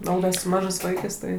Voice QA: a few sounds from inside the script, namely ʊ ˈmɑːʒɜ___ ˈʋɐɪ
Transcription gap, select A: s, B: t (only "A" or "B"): A